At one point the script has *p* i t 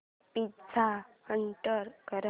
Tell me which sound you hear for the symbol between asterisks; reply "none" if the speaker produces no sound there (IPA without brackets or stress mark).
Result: p